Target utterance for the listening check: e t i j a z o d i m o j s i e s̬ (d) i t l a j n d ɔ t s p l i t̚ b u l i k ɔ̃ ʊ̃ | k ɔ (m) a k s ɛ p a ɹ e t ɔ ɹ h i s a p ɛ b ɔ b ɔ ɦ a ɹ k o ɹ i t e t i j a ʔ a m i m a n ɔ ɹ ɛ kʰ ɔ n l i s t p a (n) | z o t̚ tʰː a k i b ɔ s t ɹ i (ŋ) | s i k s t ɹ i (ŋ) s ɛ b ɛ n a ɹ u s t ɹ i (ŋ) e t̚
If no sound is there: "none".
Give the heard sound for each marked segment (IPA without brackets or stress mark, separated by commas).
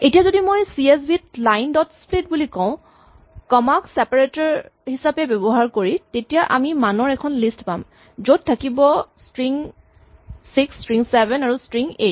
b, m, m, ŋ, ŋ, ŋ